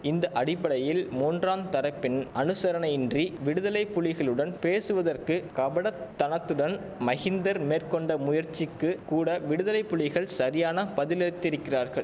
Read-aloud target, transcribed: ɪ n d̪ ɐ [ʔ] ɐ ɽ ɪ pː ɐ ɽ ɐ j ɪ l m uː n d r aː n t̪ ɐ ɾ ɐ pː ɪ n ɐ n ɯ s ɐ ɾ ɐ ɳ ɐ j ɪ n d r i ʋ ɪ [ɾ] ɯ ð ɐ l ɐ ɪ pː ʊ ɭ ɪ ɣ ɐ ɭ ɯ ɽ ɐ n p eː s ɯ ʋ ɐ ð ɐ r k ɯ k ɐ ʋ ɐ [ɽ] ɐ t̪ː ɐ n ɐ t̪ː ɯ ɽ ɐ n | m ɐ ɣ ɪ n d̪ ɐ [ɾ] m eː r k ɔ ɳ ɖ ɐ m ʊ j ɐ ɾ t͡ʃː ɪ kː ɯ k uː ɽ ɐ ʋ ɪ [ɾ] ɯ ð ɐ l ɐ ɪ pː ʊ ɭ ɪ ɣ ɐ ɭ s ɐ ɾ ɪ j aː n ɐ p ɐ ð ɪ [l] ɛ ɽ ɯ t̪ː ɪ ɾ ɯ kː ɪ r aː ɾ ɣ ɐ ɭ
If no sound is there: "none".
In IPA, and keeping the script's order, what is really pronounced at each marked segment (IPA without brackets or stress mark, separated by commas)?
ʔ, ɽ, ɽ, ɾ, ɽ, l